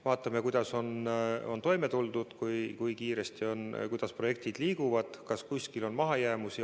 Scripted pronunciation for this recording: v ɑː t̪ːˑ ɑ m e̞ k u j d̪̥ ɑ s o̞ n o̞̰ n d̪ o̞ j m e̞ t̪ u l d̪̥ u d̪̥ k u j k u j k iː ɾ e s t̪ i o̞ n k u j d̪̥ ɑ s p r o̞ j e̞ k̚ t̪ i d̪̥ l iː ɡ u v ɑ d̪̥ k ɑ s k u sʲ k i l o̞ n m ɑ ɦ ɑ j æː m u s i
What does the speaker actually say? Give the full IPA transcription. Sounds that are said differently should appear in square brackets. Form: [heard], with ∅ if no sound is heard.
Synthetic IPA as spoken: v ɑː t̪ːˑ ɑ m e̞ k u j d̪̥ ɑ s o̞ n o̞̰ n [t̪] o̞ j m e̞ t̪ u l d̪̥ u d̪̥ k u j k u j k iː ɾ e s t̪ i o̞ n k u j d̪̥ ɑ s p r o̞ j e̞ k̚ t̪ i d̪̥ l iː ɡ u v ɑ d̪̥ k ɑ s k u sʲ k i l o̞ n m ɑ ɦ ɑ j æː m u s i